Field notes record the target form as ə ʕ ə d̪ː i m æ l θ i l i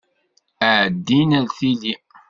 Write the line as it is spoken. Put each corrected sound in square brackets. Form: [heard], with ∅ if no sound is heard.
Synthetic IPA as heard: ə ʕ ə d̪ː i [n] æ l θ i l i